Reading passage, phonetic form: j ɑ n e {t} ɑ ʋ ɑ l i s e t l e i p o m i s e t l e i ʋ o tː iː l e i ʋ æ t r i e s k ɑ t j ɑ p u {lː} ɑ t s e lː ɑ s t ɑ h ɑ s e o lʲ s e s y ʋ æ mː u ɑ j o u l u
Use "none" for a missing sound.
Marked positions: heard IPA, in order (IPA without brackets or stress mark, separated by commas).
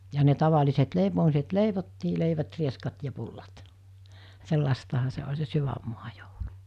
t, lː